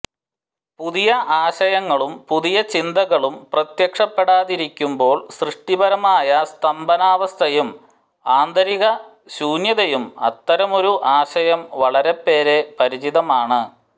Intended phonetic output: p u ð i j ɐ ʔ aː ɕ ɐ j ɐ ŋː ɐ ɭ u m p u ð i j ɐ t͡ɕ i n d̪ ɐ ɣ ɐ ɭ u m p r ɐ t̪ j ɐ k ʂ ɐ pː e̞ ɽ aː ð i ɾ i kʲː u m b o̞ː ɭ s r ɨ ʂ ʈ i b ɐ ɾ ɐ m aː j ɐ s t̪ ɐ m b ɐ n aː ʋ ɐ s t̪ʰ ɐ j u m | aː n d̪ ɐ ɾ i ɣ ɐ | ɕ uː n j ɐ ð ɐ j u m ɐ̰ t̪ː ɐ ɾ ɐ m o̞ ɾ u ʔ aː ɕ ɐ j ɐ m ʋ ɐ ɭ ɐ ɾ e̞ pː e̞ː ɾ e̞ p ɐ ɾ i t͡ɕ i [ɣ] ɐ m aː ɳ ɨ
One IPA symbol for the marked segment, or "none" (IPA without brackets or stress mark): ð